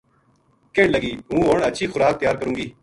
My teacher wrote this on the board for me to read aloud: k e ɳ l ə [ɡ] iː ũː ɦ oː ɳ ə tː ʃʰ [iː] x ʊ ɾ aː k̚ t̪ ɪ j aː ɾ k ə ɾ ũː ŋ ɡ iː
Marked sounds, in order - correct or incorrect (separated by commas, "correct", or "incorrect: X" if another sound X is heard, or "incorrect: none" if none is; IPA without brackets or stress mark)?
correct, correct